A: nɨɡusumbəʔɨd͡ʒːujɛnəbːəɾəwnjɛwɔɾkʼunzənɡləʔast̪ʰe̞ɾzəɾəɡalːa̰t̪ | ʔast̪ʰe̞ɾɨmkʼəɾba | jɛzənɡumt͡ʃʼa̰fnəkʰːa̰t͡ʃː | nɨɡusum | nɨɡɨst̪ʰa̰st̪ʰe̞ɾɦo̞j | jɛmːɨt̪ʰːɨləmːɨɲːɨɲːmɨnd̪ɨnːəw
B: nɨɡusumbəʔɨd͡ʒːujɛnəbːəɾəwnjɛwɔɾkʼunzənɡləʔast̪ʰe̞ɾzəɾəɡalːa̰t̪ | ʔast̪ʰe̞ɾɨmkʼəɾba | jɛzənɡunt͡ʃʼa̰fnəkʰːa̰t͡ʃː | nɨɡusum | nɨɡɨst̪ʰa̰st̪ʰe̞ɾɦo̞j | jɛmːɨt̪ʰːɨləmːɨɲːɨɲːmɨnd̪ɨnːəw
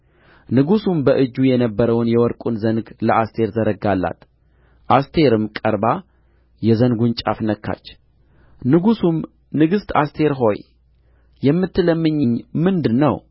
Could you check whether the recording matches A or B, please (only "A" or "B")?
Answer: B